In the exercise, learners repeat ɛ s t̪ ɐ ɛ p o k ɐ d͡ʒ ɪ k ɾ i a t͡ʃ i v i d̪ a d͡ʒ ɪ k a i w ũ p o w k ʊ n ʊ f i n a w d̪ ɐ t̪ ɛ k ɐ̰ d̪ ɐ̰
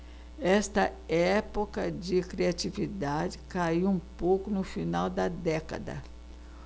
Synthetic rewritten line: ɛ s t̪ ɐ ɛ p o k ɐ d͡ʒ ɪ k ɾ i a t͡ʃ i v i d̪ a d͡ʒ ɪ k a i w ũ p o w k ʊ n ʊ f i n a w d̪ ɐ d̪ ɛ k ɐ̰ d̪ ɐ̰